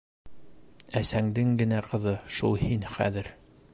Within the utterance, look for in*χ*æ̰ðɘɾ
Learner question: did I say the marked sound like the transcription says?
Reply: yes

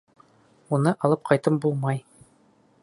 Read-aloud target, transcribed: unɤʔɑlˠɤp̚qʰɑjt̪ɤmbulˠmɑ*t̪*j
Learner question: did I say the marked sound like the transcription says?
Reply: no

